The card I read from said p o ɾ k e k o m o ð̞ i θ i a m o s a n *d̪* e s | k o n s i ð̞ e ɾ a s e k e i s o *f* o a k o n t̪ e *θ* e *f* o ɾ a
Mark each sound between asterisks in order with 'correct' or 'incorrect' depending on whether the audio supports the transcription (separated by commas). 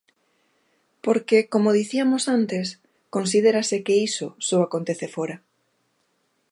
incorrect, incorrect, correct, correct